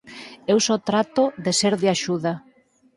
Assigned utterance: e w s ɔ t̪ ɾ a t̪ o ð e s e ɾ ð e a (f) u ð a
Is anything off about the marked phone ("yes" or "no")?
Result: yes